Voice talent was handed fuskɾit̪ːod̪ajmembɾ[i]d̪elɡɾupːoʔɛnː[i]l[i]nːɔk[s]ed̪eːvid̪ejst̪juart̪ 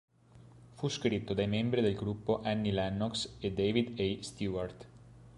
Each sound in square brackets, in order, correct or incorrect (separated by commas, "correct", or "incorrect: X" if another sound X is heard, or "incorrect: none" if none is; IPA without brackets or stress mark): correct, correct, incorrect: ɛ, correct